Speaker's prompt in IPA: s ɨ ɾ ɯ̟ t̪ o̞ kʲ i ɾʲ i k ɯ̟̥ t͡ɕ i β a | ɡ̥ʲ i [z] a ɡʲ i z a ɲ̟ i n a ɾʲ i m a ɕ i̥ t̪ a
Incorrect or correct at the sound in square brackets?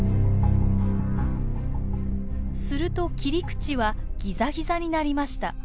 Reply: correct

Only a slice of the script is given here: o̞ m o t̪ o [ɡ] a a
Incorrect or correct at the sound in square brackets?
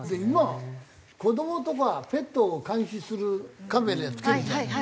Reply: incorrect: k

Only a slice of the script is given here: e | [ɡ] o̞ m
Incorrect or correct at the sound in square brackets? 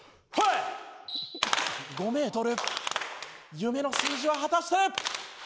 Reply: correct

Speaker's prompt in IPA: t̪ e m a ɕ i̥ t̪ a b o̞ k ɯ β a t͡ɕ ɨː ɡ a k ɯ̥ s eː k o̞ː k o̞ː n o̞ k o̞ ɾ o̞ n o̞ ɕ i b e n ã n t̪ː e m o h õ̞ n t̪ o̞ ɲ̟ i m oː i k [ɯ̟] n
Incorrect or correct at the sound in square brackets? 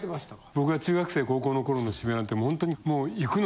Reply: correct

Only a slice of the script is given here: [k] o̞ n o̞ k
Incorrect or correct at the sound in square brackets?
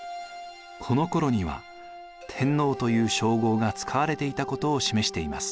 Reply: incorrect: kʰ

